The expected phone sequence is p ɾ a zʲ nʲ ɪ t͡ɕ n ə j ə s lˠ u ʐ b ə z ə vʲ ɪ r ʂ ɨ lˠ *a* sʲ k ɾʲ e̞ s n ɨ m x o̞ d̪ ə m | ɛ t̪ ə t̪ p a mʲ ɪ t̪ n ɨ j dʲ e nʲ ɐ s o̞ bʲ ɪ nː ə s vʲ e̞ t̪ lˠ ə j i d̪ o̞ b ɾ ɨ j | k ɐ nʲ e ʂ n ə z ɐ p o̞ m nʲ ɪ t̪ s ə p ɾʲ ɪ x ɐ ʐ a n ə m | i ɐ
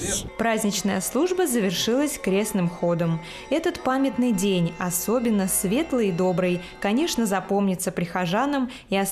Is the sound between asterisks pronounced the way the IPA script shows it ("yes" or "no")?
no